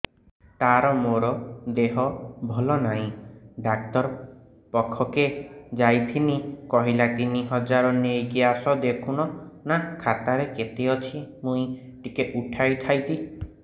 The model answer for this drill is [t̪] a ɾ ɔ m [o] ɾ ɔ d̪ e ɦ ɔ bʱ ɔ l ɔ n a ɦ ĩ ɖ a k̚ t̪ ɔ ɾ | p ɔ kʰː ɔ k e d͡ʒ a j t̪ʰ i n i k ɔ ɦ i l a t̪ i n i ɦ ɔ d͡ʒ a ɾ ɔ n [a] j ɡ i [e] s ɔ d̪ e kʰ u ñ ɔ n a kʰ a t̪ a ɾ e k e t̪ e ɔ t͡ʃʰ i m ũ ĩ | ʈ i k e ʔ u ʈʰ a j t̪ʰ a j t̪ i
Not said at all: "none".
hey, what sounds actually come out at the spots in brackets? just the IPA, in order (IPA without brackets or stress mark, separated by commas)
t̪, o, e, a